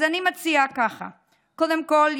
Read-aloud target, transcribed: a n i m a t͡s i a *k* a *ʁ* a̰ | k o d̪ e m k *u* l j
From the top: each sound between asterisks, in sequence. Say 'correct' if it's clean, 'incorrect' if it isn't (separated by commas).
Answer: correct, incorrect, incorrect